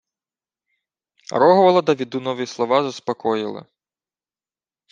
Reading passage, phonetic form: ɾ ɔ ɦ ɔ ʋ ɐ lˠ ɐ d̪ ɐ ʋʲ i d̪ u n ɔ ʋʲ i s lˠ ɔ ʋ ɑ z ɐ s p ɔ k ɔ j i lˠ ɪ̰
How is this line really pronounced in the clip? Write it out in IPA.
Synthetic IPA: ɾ ɔ ɦ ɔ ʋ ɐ lˠ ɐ d̪ ɐ ʋʲ i d̪ u n ɔ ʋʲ i s lˠ ɔ ʋ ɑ z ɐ s p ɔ k ɔ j ɪ lˠ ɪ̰